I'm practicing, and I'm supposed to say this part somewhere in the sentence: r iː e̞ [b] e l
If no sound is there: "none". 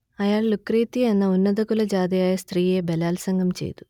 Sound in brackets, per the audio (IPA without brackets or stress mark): b